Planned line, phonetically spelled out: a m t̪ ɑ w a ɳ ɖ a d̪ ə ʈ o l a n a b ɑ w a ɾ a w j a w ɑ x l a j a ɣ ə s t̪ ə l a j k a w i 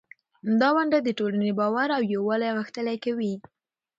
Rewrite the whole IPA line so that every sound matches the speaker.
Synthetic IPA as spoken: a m d̪ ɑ w a ɳ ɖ a d̪ ə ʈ o l a n e b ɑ w a ɾ a w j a w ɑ l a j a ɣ ə x t̪ ə l a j k a w i

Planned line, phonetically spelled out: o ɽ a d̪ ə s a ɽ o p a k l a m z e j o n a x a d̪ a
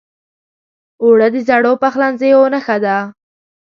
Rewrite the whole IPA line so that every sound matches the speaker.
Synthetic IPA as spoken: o ɽ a d̪ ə z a ɽ o p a x l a n z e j o n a x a d̪ a

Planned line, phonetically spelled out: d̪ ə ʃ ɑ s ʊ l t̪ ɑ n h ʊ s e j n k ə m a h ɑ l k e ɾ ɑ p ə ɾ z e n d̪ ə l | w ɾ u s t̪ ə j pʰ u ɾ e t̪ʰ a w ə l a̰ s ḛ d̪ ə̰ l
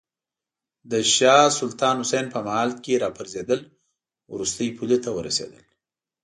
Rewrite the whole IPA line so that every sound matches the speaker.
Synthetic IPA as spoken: d̪ ə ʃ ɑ s ʊ l t̪ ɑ n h ʊ s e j n p ə m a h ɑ l k e ɾ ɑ p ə ɾ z e d̪ ə l | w ɾ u s t̪ ə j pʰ u l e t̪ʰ a w ə ɾ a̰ s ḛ d̪ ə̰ l

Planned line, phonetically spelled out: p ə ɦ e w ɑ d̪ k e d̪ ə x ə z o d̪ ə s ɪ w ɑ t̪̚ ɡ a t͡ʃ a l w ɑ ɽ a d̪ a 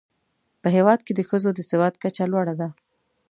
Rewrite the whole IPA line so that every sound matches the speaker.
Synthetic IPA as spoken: p ə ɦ e w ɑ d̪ k e d̪ ə x ə z o d̪ ə s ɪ w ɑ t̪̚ k a t͡ʃ a l w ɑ ɽ a d̪ a

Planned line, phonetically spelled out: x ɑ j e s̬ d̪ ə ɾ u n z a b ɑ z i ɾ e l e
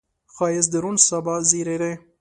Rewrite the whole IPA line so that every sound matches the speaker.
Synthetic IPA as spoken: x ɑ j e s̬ d̪ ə ɾ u n s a b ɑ z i ɾ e ɾ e

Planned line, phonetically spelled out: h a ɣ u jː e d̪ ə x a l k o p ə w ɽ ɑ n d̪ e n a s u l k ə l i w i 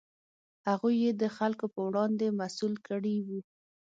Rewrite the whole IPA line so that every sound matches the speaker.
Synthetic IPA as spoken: h a ɣ u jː e d̪ ə x a l k o p ə w ɽ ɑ n d̪ e m a s u l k ə ɽ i w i

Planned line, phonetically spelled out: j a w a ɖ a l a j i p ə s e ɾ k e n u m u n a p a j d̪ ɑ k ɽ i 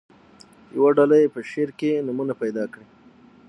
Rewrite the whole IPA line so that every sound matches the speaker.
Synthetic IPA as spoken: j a w a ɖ a l a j e p ə ʃ e ɾ k e n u m u n a p a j d̪ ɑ k ɽ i

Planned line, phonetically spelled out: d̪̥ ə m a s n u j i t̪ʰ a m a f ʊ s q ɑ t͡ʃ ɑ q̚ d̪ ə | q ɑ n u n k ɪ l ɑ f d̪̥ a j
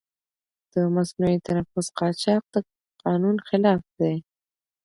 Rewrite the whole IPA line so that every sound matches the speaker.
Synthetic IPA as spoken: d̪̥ ə m a s n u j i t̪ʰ a n a f ʊ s q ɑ t͡ʃ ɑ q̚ d̪ ə | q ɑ n u n x ɪ l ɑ f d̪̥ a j

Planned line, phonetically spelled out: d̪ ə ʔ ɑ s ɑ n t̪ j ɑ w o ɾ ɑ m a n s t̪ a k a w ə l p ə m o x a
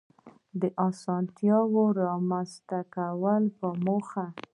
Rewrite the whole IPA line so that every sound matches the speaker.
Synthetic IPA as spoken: d̪ ə ʔ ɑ s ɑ n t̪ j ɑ w o ɾ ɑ m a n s t̪ a k a w ə l p ə m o x a

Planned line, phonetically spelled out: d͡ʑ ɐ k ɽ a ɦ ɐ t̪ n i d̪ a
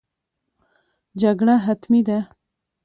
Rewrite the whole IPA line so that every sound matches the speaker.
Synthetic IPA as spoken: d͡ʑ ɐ ɡ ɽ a ɦ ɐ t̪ m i d̪ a

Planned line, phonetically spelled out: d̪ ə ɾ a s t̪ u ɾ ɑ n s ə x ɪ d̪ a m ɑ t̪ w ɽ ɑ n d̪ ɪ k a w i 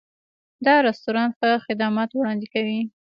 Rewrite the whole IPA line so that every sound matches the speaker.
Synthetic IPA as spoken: d̪ ɑ ɾ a s t̪ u ɾ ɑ n x ə x ɪ d̪ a m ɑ t̪ w ɽ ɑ n d̪ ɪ k a w i

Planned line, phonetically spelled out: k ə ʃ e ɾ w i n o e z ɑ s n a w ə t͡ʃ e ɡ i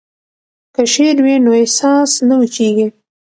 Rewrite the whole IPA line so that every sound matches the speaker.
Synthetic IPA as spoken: k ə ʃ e ɾ w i n o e s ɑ s n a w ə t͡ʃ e ɡ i

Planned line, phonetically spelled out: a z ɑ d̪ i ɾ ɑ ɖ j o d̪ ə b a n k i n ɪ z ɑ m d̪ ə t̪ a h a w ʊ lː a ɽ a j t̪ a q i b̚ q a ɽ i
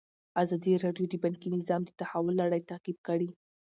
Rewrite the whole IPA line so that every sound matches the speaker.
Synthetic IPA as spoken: a z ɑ d̪ i ɾ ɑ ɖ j o d̪ ə b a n k i n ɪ z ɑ m d̪ ə t̪ a h a w ʊ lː a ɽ a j t̪ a q i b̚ k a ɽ i

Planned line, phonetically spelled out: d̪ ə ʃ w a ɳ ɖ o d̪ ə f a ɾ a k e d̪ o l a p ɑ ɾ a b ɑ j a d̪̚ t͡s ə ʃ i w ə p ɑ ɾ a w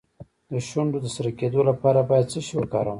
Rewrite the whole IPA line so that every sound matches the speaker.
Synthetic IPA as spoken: d̪ ə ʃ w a ɳ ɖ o d̪ ə s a ɾ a k e d̪ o l a p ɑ ɾ a b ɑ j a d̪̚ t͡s ə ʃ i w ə k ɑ ɾ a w

